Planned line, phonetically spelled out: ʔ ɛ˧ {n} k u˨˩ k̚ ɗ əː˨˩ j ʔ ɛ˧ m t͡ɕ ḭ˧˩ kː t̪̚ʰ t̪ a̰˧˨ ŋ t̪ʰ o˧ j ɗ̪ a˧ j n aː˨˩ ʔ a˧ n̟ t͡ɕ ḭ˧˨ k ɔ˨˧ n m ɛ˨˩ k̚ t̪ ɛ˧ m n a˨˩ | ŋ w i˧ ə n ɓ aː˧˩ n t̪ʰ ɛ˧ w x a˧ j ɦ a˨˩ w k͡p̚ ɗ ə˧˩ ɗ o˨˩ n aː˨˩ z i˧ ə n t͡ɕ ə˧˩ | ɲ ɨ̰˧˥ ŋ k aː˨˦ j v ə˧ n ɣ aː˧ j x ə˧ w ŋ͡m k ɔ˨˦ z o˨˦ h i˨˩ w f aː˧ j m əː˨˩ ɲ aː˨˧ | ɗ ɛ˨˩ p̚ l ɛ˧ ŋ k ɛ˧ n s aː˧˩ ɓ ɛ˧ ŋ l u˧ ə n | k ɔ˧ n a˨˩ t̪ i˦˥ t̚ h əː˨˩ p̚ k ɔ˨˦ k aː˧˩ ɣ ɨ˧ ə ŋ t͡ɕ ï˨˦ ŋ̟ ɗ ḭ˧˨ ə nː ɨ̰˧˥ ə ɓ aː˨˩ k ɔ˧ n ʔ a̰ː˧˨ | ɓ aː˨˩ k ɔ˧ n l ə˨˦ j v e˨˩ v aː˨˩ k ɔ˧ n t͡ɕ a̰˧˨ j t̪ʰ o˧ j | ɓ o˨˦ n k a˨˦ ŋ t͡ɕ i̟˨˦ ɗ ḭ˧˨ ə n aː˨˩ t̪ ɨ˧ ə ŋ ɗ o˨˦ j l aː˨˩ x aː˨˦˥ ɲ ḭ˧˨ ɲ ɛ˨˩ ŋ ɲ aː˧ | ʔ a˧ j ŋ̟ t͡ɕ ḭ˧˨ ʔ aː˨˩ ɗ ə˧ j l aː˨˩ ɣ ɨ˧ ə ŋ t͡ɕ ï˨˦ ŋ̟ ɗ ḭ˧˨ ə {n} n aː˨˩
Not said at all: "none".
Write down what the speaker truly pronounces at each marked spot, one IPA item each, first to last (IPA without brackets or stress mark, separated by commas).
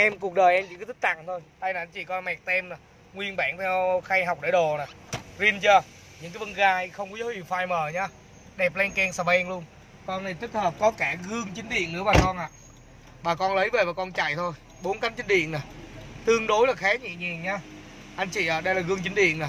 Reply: m, n